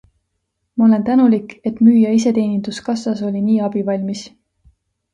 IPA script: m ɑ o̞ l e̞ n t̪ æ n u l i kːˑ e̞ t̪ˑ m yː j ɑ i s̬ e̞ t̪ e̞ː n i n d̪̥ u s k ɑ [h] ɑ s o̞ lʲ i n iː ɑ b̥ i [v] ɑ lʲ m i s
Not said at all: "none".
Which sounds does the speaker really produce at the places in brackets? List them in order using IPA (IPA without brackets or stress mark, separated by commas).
s, v